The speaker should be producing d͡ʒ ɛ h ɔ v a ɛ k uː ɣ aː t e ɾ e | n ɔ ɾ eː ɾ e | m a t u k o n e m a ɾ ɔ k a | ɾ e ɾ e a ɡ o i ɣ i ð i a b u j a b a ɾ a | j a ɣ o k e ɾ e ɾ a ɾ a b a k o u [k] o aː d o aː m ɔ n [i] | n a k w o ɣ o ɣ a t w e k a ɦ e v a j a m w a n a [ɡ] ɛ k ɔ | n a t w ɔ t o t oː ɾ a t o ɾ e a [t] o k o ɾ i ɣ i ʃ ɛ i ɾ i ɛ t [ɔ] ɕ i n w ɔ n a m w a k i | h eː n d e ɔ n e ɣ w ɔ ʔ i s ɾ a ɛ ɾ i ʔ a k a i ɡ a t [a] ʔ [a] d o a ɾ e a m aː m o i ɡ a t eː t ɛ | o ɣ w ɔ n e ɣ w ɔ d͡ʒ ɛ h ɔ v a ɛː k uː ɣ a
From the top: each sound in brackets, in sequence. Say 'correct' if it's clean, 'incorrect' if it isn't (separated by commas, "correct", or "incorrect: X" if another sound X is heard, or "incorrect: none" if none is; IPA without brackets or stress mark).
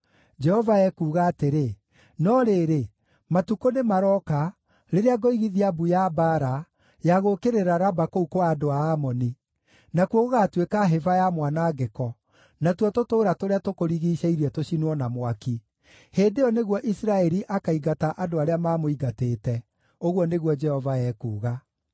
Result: correct, correct, correct, correct, incorrect: o, correct, correct